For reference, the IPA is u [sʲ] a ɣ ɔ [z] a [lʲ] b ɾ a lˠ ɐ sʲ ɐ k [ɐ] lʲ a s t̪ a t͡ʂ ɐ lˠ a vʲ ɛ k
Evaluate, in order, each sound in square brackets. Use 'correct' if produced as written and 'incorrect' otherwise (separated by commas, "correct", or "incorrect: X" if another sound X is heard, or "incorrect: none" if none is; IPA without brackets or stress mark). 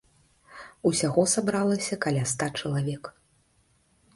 correct, incorrect: s, incorrect: none, incorrect: a